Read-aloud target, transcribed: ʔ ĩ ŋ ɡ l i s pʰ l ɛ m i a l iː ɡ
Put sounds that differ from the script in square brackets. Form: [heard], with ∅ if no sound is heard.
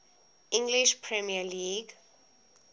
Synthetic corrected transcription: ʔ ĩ ŋ ɡ l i [ʃ] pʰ [ɹ] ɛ m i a l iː ɡ